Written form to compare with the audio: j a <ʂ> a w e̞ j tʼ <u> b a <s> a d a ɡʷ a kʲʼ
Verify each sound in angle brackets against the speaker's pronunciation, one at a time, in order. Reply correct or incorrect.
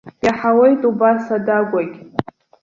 incorrect, correct, correct

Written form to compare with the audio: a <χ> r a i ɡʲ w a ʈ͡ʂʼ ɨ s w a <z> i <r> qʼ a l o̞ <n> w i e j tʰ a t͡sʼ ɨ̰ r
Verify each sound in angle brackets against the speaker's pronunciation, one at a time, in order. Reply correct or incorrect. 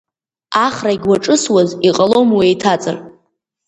correct, correct, incorrect, incorrect

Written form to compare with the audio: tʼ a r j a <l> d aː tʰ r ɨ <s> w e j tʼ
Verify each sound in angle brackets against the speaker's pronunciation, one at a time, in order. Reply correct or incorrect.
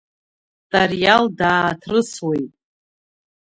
correct, correct

